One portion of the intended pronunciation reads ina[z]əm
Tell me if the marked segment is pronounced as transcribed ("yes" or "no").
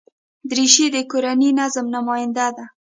yes